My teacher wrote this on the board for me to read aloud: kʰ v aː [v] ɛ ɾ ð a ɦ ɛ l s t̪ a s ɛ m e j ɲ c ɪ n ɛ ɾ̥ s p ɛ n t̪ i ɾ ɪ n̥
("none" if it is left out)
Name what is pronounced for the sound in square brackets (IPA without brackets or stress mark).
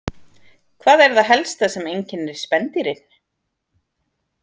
ð